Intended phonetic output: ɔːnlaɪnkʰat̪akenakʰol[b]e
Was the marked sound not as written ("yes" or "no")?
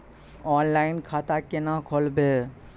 no